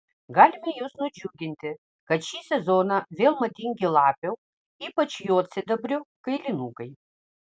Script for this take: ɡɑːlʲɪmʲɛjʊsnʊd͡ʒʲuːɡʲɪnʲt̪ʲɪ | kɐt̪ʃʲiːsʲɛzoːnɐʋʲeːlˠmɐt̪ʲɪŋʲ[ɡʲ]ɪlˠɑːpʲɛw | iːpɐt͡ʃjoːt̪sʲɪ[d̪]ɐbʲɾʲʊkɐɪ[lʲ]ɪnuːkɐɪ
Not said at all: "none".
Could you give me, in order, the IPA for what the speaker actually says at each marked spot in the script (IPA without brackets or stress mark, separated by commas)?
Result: ɡʲ, d̪, lʲ